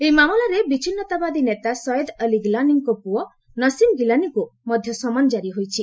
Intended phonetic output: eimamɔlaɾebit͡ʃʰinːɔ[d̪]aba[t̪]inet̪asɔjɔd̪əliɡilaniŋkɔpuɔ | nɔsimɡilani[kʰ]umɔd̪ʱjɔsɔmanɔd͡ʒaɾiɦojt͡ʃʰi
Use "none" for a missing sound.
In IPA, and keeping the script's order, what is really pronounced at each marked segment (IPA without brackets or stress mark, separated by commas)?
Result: t̪, d̪, k